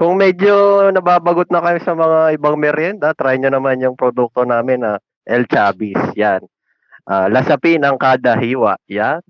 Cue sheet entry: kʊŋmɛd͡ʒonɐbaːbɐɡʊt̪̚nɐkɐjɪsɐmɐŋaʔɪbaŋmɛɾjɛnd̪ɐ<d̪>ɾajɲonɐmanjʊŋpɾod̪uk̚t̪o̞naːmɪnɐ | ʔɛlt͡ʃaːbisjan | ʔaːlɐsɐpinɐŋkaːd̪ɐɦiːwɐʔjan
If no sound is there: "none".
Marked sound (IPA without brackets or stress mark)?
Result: t̪